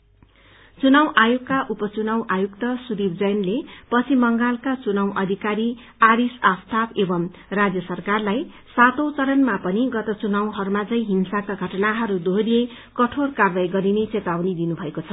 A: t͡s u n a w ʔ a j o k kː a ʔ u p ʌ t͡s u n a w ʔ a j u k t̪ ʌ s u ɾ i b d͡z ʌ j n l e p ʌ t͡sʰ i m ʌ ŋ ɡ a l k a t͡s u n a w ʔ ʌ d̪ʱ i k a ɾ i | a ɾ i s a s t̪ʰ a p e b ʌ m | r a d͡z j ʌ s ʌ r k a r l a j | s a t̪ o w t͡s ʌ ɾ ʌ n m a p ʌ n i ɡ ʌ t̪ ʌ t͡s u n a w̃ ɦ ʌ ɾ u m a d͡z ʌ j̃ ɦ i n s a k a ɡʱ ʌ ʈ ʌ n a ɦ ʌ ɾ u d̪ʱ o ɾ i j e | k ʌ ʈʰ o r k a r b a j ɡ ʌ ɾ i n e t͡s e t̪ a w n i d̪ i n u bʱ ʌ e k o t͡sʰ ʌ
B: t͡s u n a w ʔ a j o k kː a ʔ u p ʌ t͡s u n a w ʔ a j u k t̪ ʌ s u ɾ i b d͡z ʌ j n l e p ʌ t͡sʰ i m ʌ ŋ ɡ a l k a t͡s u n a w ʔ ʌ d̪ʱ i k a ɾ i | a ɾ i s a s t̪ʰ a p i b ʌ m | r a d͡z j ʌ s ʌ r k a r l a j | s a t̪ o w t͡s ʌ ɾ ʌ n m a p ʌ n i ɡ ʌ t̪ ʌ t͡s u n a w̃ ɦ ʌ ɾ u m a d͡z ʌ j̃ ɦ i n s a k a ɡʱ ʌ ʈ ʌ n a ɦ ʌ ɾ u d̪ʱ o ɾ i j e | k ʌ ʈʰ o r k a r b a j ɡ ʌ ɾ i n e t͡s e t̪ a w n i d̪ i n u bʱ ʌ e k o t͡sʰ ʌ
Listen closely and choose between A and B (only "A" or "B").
A